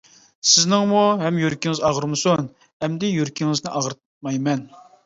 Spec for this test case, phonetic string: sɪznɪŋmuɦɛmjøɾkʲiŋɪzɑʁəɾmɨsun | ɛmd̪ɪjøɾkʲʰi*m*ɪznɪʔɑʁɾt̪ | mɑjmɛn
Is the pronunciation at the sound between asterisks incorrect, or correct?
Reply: incorrect